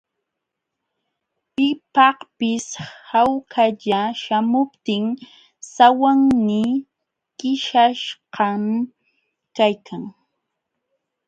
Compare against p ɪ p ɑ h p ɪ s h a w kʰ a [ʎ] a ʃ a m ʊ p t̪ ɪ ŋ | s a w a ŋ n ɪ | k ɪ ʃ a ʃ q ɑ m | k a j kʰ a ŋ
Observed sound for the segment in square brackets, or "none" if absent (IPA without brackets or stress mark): ʎ